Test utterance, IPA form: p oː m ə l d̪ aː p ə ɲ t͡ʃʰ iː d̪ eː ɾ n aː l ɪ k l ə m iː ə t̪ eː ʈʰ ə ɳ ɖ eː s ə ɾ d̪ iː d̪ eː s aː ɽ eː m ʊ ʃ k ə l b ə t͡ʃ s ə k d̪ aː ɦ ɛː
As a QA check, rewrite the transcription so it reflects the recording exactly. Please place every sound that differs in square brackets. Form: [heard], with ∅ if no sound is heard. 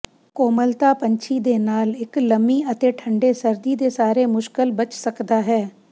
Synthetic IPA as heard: [k] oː m ə l [t̪] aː p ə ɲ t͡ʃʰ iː d̪ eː [∅] n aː l ɪ k l ə m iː ə t̪ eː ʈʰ ə ɳ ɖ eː s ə ɾ d̪ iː d̪ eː s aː [ɾ] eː m ʊ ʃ k ə l b ə t͡ʃ s ə k d̪ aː ɦ ɛː